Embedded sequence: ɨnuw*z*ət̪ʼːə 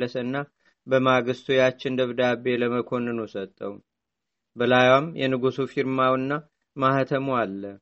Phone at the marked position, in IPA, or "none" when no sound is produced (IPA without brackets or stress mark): s